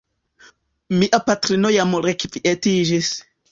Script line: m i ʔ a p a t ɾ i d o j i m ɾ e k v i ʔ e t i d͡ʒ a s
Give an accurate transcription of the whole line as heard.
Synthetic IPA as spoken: m i ʔ a p a t ɾ i n o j a m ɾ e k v i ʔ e t i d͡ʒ i s